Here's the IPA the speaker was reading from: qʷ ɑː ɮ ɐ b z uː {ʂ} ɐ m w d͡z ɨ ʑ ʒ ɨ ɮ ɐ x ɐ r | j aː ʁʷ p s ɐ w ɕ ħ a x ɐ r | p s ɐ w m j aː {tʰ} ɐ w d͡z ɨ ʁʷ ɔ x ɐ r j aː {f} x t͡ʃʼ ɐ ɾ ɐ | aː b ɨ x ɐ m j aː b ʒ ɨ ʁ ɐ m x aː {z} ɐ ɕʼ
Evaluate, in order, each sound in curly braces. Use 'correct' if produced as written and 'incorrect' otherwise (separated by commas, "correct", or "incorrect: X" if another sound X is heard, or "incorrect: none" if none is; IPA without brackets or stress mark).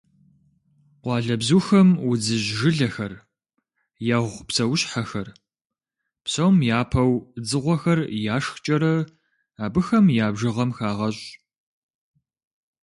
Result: incorrect: x, incorrect: pʰ, incorrect: ʂ, incorrect: ʁ